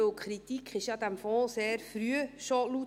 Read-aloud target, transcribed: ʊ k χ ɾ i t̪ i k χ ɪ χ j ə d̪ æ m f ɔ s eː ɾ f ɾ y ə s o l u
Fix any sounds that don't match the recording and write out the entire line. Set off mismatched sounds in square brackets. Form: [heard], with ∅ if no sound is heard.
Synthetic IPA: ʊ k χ ɾ i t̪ i k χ ɪ [ʃ] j [ɑ] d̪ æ m f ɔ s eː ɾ f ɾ y ə [ʃ] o l u